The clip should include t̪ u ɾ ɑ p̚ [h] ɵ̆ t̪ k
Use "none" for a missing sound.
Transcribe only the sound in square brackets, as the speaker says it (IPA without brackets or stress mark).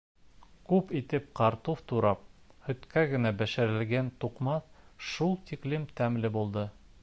h